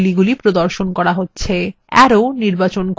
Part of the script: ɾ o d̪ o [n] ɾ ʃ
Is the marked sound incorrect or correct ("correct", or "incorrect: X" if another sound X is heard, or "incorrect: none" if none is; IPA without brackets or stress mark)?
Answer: incorrect: none